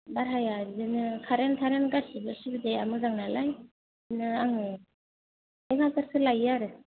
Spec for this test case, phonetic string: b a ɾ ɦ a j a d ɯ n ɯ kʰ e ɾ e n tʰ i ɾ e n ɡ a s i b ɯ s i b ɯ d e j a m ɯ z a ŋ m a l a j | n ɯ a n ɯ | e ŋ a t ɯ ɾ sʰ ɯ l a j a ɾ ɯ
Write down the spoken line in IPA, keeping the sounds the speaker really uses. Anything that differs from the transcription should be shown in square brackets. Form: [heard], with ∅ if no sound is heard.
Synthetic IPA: b a ɾ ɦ a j a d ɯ n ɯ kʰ [a] ɾ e n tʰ [a] ɾ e n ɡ a s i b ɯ s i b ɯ d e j a m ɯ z a ŋ [n] a l a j | n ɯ a [ŋ] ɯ | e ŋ a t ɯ ɾ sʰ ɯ l a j a ɾ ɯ